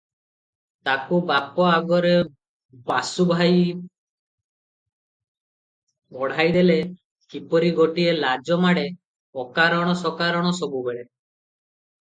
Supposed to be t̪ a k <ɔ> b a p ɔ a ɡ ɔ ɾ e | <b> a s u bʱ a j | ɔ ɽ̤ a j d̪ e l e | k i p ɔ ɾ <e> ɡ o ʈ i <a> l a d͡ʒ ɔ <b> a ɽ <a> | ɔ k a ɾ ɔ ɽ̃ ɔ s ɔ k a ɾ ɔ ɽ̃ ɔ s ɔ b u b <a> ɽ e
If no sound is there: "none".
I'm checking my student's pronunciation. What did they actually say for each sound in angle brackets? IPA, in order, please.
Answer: u, b, i, e, m, e, e

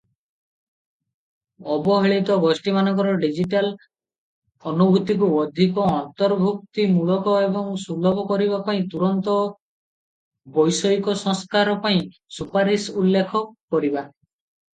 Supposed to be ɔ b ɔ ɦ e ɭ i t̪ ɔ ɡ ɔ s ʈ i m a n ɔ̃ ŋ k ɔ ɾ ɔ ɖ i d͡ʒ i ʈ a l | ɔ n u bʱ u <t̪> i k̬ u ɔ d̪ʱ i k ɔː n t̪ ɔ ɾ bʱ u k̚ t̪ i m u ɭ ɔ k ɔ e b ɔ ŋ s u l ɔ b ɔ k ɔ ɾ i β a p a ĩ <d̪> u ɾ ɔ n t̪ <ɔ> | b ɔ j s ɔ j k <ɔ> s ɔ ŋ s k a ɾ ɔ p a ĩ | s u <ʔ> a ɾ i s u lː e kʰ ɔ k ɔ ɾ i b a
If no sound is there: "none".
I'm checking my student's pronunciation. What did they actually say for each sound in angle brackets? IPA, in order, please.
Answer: t̪, t̪, ɔ, ɔ, p

